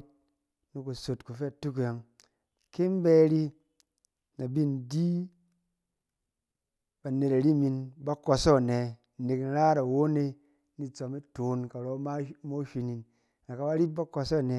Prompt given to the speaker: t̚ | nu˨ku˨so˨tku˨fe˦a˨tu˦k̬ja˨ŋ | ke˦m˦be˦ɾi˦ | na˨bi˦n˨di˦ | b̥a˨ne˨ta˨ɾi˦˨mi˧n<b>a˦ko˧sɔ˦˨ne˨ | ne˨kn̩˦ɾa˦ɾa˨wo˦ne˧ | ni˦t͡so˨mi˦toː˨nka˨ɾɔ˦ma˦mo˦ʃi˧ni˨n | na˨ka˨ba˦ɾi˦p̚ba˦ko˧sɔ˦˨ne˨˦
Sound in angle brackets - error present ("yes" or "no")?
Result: no